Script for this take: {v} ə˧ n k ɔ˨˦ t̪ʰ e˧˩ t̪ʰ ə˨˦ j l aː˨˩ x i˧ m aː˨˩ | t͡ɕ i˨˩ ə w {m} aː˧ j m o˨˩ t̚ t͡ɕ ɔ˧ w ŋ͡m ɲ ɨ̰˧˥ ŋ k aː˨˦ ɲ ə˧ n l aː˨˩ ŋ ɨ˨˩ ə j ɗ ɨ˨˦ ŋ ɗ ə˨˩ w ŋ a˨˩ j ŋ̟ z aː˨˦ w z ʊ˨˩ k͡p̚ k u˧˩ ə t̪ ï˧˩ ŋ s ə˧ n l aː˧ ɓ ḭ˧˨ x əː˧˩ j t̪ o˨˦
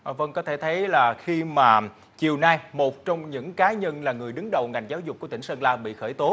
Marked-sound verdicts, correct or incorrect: correct, incorrect: n

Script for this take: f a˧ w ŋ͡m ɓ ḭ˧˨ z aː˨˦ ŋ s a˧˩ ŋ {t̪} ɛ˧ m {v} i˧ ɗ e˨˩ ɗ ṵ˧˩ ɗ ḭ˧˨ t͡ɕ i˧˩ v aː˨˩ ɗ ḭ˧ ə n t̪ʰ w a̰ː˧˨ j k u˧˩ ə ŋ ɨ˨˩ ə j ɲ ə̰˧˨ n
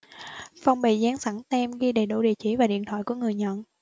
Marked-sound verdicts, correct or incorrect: correct, incorrect: ɣ

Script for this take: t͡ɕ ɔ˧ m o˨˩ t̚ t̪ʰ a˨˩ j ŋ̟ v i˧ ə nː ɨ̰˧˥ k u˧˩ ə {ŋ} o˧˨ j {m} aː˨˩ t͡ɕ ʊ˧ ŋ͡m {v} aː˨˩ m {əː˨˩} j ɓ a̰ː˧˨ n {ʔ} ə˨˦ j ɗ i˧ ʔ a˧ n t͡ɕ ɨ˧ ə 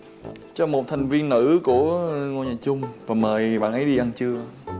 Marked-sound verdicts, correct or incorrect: correct, incorrect: ɲ, correct, correct, correct

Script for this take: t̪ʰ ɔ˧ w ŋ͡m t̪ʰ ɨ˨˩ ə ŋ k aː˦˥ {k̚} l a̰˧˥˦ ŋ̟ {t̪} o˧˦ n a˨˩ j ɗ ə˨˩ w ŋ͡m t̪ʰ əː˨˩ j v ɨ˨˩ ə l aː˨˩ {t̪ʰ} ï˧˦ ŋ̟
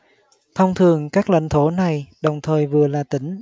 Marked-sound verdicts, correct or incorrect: correct, incorrect: t̪ʰ, incorrect: t̪

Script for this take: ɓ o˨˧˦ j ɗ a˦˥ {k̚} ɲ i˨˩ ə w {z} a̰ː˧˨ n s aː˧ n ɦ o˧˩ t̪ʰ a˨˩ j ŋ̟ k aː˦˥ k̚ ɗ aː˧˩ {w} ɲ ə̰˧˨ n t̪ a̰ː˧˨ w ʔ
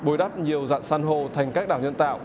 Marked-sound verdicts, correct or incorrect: incorrect: p̚, correct, correct

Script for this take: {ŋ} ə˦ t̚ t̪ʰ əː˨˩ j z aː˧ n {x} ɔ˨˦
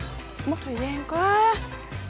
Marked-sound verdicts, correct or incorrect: incorrect: m, incorrect: k

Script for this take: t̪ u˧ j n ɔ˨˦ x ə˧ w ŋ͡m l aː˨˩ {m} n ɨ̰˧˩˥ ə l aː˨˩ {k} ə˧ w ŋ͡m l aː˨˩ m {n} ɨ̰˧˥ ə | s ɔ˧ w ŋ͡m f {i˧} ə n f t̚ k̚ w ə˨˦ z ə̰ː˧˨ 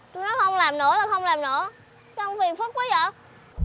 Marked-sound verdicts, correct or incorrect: correct, incorrect: x, correct, incorrect: i˨˩

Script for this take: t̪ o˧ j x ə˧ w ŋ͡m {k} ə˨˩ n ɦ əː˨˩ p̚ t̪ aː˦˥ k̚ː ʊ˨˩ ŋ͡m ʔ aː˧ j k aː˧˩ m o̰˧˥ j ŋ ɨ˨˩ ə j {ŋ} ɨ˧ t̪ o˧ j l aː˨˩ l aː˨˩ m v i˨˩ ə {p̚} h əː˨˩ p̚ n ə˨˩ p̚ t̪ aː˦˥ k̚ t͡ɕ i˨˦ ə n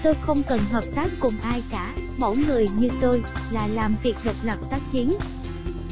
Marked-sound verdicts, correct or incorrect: correct, incorrect: ɲ, incorrect: k̚

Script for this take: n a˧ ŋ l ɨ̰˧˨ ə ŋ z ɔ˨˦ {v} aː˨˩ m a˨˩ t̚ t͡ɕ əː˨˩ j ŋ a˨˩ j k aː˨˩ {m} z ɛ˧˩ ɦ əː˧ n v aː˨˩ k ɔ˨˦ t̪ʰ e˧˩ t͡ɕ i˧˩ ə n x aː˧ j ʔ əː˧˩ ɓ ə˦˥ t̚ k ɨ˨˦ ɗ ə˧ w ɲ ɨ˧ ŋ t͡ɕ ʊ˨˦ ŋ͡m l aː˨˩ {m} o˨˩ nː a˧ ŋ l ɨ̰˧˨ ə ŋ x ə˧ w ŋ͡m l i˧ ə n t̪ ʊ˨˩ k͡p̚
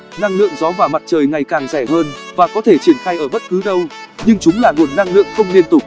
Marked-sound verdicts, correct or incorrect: correct, incorrect: ŋ, incorrect: ŋ

